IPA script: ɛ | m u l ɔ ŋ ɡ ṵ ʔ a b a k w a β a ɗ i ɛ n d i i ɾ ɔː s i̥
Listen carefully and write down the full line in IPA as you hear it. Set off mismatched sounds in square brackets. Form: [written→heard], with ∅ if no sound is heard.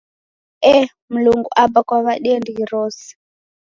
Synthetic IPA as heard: ɛ | m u l [ɔ→u] ŋ ɡ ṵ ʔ a b a k w a β a ɗ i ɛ n d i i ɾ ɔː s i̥